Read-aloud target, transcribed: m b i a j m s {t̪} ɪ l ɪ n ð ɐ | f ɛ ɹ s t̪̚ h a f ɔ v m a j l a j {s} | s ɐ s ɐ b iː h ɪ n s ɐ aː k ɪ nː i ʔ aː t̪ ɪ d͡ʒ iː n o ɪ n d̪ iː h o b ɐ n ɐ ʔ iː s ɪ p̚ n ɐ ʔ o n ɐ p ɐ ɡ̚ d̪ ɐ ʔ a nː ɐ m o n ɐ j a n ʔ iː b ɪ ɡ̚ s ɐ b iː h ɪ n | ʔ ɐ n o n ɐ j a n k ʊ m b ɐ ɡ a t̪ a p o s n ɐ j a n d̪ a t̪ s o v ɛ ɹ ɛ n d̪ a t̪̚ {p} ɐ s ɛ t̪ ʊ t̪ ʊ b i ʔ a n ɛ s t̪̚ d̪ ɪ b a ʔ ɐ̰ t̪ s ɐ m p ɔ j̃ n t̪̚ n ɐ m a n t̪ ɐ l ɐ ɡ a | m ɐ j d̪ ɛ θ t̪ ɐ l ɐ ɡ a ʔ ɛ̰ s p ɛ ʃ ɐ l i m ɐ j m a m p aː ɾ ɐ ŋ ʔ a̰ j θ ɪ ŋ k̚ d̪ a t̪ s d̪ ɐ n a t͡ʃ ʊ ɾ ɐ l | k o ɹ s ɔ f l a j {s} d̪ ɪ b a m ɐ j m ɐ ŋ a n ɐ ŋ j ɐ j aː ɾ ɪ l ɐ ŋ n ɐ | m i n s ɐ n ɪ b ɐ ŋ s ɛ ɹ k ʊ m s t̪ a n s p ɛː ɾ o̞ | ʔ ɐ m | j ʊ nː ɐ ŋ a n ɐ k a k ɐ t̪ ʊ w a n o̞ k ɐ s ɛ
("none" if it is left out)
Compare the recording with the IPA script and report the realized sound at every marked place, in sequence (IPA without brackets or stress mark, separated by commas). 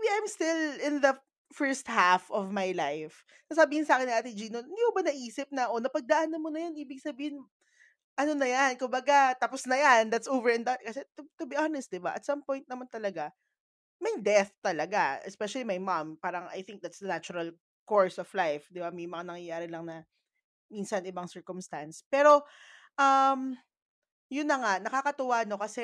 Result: t̪, f, k, f